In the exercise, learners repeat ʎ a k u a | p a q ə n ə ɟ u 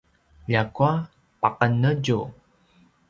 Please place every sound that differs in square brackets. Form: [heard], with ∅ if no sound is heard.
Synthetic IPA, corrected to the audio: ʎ a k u a | p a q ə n ə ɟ u